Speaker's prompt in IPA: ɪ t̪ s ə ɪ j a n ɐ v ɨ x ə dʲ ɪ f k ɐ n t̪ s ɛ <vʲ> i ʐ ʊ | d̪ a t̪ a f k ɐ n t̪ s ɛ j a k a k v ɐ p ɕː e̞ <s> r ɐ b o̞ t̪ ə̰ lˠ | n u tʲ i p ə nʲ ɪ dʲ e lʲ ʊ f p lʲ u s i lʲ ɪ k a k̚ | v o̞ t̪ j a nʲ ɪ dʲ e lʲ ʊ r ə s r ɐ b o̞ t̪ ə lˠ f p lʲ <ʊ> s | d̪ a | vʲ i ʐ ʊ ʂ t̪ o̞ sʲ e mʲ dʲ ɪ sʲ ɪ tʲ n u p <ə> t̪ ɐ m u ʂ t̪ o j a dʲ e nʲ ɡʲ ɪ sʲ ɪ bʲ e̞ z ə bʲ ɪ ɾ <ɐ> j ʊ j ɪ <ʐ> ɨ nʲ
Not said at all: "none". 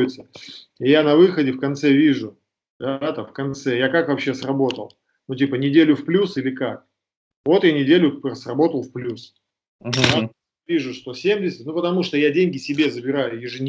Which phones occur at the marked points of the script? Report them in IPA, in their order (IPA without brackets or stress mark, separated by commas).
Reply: vʲ, s, u, ə, a, ʐ